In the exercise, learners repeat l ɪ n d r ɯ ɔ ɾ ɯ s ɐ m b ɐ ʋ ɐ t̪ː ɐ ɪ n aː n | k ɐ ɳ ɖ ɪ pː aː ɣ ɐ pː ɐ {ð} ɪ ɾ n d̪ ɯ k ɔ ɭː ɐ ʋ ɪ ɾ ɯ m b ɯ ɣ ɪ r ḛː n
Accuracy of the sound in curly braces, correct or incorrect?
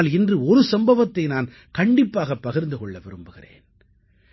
incorrect